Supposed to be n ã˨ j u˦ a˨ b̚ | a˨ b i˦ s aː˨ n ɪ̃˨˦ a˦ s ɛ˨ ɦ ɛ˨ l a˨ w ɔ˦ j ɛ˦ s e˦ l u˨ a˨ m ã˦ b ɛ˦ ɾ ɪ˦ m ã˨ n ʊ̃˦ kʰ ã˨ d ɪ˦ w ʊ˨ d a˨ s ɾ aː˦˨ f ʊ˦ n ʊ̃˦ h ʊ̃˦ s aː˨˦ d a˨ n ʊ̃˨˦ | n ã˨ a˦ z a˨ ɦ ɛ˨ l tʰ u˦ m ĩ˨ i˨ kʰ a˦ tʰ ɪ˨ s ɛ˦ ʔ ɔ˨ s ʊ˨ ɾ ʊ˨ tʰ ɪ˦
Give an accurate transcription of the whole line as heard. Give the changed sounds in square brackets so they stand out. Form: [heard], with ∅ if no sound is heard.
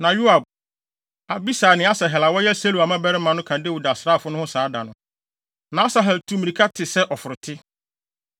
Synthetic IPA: n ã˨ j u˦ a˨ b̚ | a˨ b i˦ s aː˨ n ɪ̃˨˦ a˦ s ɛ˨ ɦ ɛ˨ l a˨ w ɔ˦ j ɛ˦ s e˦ l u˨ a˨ m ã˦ b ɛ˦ ɾ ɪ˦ m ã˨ n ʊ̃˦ kʰ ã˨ d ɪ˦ w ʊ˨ d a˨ s ɾ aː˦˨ f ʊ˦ n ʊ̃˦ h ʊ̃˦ s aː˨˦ d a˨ n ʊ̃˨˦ | n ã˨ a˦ [s] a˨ ɦ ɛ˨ l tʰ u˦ m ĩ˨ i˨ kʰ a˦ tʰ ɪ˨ s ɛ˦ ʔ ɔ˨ [f] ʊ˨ ɾ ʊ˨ tʰ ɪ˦